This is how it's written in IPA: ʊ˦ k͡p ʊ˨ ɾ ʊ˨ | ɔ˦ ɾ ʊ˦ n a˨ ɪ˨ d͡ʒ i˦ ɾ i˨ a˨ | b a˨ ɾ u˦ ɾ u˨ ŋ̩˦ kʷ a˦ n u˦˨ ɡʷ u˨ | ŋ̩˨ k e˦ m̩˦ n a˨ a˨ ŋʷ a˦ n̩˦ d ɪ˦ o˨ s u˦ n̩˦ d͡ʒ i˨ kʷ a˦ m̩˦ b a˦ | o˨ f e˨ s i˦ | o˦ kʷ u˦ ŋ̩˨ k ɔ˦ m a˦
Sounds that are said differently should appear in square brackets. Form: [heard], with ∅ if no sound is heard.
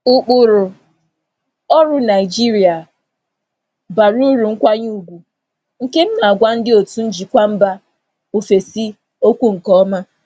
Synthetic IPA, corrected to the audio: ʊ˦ k͡p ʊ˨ ɾ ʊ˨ | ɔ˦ ɾ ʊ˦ n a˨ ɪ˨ d͡ʒ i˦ ɾ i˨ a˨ | b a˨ ɾ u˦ ɾ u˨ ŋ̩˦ kʷ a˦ [ɲ] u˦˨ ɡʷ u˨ | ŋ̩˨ k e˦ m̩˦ n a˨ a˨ [ɡʷ] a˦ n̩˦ d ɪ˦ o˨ [t] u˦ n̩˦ d͡ʒ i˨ kʷ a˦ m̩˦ b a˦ | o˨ f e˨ s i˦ | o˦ kʷ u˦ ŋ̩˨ k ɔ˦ m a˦